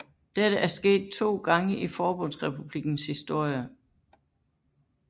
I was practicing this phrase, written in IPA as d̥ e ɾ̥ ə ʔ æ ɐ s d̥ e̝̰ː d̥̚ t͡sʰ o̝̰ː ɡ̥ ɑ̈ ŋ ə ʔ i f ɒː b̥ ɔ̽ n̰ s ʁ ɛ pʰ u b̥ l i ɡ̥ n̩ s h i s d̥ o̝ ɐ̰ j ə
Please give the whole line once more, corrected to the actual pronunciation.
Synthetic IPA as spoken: d̥ e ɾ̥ ə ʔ æ ɐ s ɡ̥ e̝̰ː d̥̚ t͡sʰ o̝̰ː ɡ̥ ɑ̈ ŋ ə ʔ i f ɒː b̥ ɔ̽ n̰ s ʁ ɛ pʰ u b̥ l i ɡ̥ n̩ s h i s d̥ o̝ ɐ̰ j ə